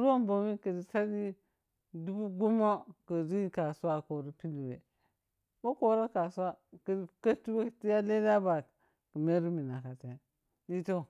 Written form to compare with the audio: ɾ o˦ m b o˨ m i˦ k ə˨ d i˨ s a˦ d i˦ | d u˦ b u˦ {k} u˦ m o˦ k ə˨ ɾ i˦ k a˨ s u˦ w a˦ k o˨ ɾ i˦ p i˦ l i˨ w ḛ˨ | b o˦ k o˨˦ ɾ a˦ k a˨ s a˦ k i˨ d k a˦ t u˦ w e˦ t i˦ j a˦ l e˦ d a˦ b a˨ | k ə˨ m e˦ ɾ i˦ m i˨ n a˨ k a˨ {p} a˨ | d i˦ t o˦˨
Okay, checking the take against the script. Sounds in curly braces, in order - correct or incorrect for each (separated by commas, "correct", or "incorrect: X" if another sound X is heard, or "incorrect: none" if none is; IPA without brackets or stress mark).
incorrect: ɡ, incorrect: t